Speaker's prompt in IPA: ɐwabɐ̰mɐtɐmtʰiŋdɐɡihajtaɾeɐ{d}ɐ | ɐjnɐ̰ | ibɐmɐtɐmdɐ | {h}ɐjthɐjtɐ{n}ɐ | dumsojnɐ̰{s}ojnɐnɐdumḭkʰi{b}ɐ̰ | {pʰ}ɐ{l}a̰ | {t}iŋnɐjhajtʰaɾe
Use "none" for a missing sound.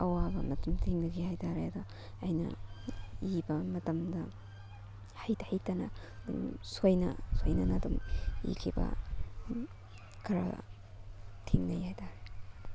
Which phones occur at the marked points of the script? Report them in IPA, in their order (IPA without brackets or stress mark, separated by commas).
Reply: d, h, n, s, b, kʰ, ɾ, tʰ